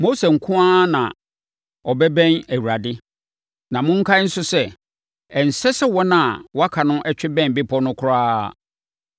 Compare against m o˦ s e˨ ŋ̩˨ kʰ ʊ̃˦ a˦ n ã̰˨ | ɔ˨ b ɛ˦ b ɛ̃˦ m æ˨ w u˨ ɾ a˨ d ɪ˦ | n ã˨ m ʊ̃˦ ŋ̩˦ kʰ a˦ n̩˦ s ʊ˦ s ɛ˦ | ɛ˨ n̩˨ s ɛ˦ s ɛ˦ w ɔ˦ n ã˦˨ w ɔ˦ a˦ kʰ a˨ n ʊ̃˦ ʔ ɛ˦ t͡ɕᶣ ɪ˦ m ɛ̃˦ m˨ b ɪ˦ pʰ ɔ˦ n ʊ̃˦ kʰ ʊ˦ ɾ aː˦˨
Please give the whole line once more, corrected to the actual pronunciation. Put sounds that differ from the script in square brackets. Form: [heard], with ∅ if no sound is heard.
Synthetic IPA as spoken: m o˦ s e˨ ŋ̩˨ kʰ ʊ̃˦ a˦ n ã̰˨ | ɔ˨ b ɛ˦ b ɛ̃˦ [n] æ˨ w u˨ ɾ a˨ d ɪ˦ | n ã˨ m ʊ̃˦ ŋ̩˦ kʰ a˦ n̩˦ s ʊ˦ s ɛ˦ | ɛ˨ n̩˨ s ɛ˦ s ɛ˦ w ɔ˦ n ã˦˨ w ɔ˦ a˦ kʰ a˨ n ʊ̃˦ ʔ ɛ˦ t͡ɕᶣ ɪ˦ [b] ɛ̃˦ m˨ b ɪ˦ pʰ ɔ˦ n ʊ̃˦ kʰ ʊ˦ ɾ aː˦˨